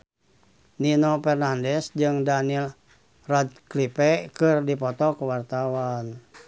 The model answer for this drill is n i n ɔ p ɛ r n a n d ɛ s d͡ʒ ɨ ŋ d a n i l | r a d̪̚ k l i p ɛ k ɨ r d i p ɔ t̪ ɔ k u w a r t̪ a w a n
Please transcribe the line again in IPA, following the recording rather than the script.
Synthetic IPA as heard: n i n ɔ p ɛ r n a n d ɛ s d͡ʒ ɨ ŋ d a n i l | r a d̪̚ k l i p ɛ k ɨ r d i p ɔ t̪ ɔ k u w a r t̪ a w a n